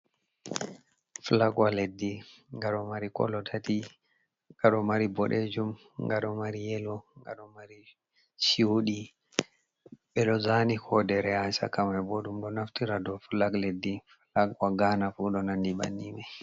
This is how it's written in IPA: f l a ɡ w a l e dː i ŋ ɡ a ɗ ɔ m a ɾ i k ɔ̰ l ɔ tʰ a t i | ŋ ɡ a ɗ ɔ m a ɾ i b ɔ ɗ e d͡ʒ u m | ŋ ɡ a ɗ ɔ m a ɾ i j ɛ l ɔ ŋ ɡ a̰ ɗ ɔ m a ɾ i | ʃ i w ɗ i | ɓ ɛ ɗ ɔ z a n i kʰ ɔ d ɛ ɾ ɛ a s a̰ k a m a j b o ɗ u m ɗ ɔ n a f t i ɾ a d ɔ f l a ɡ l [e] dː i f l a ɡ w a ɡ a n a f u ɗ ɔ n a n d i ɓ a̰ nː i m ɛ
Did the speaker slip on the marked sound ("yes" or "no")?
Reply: no